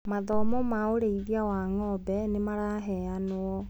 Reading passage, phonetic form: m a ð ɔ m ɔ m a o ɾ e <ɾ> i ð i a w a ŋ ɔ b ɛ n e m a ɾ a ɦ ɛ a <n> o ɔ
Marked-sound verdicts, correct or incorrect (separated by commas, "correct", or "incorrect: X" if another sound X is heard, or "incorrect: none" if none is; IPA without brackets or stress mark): incorrect: none, correct